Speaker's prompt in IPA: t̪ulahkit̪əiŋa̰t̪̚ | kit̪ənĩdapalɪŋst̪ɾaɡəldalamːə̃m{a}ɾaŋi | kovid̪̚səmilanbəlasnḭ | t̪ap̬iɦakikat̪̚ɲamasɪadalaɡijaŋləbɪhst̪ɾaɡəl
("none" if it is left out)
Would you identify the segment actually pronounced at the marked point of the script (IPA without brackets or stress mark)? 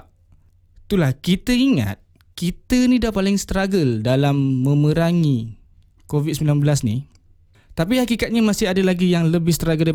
ə